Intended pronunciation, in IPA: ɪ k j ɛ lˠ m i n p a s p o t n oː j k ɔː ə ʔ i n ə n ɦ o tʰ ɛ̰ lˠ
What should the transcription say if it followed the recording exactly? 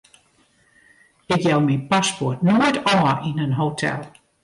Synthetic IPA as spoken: ɪ k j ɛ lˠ m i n p a s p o t n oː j t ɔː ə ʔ i n ə n ɦ o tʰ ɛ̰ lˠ